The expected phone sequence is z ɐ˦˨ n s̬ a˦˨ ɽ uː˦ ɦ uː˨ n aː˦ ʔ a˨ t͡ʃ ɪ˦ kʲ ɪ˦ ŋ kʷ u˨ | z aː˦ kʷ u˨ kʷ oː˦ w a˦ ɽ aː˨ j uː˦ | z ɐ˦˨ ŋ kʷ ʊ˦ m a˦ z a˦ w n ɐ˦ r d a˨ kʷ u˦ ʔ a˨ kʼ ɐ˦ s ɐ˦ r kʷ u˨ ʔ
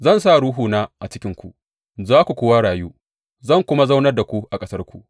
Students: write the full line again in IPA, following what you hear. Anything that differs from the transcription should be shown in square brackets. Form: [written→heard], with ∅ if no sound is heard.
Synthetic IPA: z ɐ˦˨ n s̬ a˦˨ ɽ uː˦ ɦ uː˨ n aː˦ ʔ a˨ t͡ʃ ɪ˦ kʲ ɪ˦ ŋ kʷ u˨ | z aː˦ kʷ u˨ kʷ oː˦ w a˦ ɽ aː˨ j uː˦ | z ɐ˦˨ ŋ kʷ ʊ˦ m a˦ z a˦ w n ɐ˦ r d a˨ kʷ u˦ ʔ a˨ kʼ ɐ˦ s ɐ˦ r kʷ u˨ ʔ